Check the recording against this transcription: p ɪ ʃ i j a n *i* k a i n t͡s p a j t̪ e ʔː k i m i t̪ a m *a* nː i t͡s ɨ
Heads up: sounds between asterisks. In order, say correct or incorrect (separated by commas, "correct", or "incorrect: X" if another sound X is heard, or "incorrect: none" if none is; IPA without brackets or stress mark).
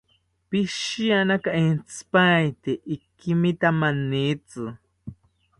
incorrect: a, correct